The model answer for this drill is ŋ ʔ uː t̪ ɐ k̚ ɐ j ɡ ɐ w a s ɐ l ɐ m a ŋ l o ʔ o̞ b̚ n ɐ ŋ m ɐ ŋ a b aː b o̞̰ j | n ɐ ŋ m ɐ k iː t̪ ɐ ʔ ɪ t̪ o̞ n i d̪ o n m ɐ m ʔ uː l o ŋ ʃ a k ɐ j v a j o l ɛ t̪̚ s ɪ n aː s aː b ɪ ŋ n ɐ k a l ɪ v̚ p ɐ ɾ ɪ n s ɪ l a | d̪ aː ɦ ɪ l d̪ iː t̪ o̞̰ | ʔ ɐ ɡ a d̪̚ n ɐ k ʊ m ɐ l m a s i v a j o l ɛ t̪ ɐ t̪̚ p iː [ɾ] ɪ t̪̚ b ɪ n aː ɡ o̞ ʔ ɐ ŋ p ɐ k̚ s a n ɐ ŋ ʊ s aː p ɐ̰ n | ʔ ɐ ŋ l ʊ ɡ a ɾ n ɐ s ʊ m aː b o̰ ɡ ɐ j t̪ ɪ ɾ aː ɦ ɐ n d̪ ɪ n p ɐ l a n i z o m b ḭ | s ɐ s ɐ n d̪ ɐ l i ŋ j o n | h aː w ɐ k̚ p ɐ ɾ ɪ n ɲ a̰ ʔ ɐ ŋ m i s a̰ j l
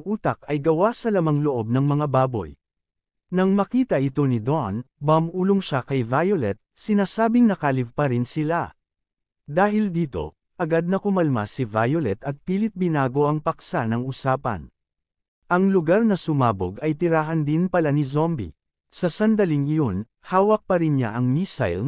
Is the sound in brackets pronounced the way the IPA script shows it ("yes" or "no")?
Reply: no